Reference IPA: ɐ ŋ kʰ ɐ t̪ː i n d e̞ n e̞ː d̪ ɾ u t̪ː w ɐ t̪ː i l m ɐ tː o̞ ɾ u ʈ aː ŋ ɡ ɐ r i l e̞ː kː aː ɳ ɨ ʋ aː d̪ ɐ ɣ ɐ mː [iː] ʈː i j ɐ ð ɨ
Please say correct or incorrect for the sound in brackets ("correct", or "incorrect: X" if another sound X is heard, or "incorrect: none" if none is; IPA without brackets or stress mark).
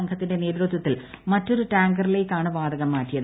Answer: incorrect: aː